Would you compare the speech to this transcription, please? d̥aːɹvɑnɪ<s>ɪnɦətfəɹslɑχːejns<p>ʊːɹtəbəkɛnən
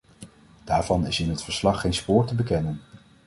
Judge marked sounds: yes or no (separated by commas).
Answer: yes, yes